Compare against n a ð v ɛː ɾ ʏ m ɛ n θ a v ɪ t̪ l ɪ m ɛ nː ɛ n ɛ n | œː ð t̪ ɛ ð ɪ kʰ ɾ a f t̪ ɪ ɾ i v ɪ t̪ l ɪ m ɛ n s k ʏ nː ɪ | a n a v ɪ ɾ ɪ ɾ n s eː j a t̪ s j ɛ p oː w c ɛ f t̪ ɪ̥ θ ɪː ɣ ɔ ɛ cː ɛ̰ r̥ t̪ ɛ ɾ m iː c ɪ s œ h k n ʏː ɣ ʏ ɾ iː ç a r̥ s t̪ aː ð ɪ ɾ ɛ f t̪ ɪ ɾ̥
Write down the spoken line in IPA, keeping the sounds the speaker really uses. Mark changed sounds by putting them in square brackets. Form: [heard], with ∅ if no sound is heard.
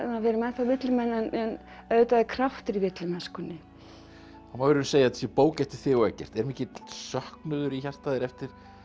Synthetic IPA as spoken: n a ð v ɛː ɾ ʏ m ɛ n θ a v ɪ t̪ l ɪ m ɛ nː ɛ n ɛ n | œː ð t̪ [a] ð ɪ kʰ ɾ a f t̪ ɪ ɾ i v ɪ t̪ l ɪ m ɛ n s k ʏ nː ɪ | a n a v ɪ ɾ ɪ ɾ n s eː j a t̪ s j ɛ p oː w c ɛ f t̪ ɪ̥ θ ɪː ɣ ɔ ɛ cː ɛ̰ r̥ t̪ ɛ ɾ m iː c ɪ s œ h k n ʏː [ð] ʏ ɾ [i] ç a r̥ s t̪ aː ð ɪ ɾ ɛ f t̪ ɪ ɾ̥